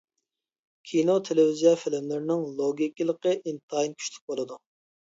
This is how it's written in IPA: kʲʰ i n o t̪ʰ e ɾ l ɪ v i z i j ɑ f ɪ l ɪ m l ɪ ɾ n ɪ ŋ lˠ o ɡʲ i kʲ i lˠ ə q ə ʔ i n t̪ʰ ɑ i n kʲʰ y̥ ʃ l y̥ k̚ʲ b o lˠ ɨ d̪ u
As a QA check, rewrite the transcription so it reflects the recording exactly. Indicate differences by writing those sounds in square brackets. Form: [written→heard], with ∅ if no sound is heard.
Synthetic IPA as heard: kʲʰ i n o t̪ʰ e [ɾ→∅] l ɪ v i z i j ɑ f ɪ l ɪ m l ɪ ɾ n ɪ ŋ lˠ o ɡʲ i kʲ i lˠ ə q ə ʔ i n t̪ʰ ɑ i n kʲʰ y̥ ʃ l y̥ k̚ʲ b o lˠ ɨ d̪ u